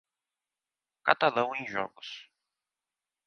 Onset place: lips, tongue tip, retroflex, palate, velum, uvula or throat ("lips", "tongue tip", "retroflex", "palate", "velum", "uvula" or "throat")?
velum